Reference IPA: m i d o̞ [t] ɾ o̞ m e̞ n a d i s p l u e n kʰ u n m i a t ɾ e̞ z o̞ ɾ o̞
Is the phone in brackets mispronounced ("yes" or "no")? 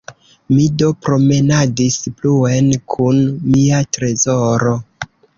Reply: yes